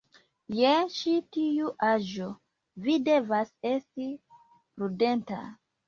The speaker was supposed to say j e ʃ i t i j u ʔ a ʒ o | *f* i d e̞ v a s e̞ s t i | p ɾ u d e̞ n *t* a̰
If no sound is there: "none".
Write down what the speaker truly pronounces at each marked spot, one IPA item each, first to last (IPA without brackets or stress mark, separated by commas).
v, t